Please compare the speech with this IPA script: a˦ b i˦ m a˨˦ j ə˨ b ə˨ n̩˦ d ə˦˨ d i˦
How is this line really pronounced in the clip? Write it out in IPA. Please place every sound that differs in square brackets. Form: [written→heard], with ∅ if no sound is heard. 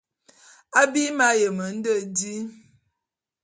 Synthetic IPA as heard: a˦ b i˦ m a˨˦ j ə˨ [b→m] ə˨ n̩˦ d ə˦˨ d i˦